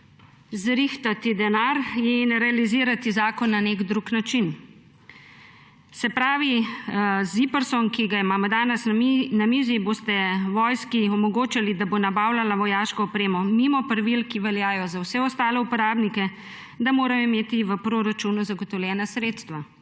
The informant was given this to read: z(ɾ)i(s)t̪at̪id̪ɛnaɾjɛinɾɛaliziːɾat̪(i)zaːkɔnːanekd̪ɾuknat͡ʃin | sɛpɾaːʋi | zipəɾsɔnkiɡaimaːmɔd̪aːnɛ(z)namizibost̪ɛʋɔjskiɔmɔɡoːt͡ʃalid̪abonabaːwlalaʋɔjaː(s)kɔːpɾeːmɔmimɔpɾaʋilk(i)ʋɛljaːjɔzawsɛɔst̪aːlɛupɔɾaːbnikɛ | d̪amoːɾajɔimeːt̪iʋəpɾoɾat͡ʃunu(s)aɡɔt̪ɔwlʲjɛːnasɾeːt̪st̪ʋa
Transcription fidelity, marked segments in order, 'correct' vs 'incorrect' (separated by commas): correct, incorrect, correct, incorrect, incorrect, correct, incorrect